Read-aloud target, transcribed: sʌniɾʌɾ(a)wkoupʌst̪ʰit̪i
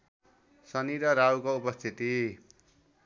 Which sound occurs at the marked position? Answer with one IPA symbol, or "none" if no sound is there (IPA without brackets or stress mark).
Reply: a